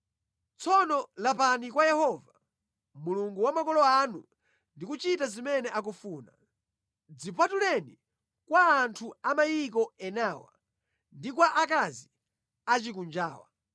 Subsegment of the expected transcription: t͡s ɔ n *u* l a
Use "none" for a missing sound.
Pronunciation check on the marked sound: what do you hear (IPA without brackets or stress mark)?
ɔ